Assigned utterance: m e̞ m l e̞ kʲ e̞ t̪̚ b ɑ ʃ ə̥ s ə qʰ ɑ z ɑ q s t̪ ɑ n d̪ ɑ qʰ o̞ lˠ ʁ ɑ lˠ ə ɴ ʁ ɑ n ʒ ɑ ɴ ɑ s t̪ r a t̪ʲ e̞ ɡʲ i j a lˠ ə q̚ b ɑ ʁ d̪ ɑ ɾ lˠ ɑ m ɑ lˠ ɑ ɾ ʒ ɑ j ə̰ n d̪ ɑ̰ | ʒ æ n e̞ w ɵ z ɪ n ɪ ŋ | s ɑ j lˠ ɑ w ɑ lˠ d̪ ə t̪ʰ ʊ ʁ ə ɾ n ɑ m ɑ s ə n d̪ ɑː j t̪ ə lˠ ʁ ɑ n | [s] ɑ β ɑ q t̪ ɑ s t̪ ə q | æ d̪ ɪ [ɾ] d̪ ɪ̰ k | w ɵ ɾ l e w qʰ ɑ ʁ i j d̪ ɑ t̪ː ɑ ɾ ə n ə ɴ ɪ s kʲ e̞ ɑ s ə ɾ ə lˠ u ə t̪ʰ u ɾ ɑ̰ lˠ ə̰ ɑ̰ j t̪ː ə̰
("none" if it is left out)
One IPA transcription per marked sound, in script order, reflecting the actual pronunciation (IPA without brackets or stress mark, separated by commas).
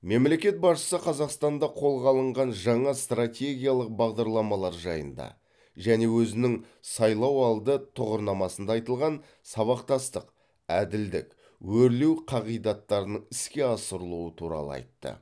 s, l